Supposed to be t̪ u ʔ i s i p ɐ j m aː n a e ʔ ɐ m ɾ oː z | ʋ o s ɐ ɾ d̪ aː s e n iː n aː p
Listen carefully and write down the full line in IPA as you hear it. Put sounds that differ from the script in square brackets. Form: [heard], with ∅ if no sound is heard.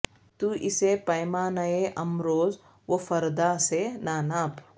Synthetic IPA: t̪ u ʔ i s [e] p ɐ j m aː n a e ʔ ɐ m ɾ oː z | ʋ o [f] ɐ ɾ d̪ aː s e n [aː] n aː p

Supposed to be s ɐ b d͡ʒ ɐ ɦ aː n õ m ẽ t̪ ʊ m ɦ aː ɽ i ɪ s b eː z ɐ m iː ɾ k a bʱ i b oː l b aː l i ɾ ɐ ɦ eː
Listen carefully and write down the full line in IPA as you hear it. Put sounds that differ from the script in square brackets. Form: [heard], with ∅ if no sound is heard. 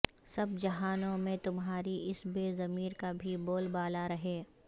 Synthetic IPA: s ɐ b d͡ʒ ɐ ɦ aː n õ m ẽ t̪ ʊ m ɦ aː [ɾ] i ɪ s b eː z ɐ m iː ɾ k a bʱ i b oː l b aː l [a] ɾ ɐ ɦ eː

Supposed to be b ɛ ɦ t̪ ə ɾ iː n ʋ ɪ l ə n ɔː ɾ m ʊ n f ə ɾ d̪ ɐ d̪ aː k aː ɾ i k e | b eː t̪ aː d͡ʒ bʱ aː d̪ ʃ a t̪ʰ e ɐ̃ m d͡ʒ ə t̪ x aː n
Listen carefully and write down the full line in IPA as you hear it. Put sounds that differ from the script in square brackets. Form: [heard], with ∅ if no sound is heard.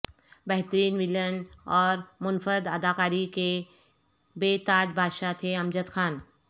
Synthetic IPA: b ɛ ɦ t̪ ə ɾ iː n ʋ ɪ l ə n ɔː ɾ m ʊ n f ə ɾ d̪ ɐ d̪ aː k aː ɾ i k e | b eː t̪ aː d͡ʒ bʱ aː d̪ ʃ a t̪ʰ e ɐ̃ m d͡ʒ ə t̪ x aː n

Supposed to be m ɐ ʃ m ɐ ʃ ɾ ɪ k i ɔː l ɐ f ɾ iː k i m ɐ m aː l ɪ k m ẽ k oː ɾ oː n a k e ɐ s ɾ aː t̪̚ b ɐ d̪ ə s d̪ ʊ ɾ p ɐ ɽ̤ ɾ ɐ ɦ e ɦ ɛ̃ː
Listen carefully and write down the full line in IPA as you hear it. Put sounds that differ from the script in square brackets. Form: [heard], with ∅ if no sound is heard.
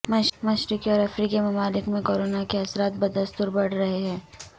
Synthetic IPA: m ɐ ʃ m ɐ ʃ ɾ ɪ k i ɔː [ɾ] ɐ f ɾ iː k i m ɐ m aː l ɪ k m ẽ k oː ɾ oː n a k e ɐ s ɾ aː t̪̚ b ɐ d̪ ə s [t̪] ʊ ɾ [b] ɐ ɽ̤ ɾ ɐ ɦ e ɦ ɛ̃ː

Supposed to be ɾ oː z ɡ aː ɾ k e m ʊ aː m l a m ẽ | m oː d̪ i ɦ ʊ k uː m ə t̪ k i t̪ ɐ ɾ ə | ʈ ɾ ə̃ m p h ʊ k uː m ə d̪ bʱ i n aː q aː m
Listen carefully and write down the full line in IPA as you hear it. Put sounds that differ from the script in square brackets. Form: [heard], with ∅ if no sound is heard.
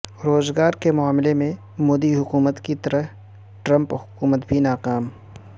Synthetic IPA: ɾ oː z ɡ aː ɾ k e m ʊ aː m l [e] m ẽ | m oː d̪ i ɦ ʊ k uː m ə t̪ k i t̪ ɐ ɾ ə | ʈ ɾ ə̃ m p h ʊ k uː m ə [t̪] bʱ i n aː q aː m

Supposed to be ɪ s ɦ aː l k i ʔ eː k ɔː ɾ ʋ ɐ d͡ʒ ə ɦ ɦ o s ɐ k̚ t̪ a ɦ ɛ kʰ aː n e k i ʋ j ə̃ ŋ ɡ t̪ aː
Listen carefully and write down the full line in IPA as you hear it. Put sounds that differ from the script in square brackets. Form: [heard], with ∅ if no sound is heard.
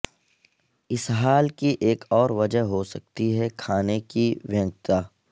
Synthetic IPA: ɪ s ɦ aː l k i ʔ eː k ɔː ɾ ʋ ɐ d͡ʒ ə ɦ ɦ o s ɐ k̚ t̪ [i] ɦ ɛ kʰ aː n e k i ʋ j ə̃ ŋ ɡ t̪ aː

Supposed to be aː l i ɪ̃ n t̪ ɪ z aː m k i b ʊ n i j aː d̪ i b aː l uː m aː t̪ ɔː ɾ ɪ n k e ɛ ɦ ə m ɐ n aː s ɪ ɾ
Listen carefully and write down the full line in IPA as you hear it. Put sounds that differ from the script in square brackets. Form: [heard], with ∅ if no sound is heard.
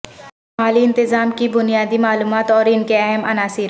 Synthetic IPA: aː l i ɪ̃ n t̪ ɪ z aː m k i b ʊ n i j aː d̪ i [m] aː l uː m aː t̪ ɔː ɾ ɪ n k e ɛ ɦ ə m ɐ n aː s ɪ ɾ

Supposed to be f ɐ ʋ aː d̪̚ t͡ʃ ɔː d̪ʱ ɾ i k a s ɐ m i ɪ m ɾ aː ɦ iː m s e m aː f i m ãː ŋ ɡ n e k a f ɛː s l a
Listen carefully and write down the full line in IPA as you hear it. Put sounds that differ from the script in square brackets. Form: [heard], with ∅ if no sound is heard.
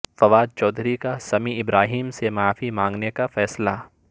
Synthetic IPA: f ɐ ʋ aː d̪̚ t͡ʃ ɔː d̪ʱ ɾ i k a s ɐ m i ɪ [b] ɾ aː ɦ iː m s e m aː f i m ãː ŋ ɡ n e k a f ɛː s l a

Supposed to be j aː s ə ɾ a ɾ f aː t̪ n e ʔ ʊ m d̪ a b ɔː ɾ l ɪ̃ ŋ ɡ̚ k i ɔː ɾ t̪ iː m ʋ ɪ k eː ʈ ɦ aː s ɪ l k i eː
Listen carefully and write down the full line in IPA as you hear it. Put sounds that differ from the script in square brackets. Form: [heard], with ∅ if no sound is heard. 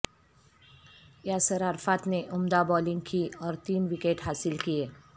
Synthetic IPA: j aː s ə ɾ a ɾ f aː t̪ n e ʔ ʊ m d̪ a b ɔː [∅] l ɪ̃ ŋ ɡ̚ k i ɔː ɾ t̪ iː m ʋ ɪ k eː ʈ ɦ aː s ɪ l k i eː

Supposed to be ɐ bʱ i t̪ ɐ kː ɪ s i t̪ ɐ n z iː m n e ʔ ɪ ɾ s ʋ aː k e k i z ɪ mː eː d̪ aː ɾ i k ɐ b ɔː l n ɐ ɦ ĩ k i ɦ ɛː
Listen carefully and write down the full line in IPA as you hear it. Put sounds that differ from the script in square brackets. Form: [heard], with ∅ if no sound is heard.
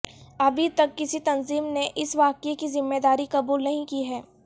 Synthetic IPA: ɐ bʱ i t̪ ɐ kː ɪ s i t̪ ɐ n z iː m n e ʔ ɪ [∅] s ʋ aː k e k i z ɪ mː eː d̪ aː ɾ i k ɐ b [uː] l n ɐ ɦ ĩ k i ɦ ɛː

